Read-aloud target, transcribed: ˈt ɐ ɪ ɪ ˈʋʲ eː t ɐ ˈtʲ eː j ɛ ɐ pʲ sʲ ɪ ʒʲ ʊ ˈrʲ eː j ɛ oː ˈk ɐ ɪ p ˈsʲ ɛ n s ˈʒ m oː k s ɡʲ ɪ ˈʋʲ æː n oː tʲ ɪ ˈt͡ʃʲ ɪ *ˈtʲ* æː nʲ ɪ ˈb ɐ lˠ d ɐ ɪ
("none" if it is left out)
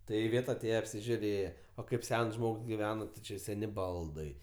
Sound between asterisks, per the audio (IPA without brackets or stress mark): sʲ